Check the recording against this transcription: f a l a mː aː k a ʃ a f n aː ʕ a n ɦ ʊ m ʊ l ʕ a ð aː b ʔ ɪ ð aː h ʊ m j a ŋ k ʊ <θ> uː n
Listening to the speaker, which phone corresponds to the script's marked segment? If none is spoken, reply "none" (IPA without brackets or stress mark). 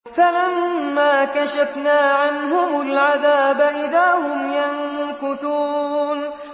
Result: θ